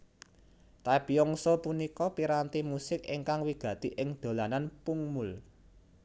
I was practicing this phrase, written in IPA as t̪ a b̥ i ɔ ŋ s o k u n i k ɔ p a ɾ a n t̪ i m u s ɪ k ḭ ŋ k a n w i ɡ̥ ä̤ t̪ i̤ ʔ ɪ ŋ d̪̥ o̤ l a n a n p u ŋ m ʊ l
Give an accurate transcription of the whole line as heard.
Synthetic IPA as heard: t̪ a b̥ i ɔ ŋ s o p u n i k ɔ p i ɾ a n t̪ i m u s ɪ k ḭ ŋ k a ŋ w i ɡ̥ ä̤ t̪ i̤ ʔ ɪ ŋ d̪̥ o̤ l a n a n p u ŋ m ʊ l